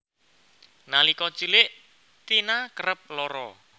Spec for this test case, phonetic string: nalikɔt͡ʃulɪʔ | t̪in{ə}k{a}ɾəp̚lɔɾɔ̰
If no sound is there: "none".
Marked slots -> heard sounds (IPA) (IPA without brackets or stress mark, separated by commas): a, ə